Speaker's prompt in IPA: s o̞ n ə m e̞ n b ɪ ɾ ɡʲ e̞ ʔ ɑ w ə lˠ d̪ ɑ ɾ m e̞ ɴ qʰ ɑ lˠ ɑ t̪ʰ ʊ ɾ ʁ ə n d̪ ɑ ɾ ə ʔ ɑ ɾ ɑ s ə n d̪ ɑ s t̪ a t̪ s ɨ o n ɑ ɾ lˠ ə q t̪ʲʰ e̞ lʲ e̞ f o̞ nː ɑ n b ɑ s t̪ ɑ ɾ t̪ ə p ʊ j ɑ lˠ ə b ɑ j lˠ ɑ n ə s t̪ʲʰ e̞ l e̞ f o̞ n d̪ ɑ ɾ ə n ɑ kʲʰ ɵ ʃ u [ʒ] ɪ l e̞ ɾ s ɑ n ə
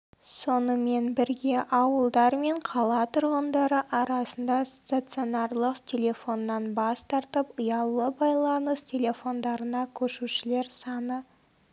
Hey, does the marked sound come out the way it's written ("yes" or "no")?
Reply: no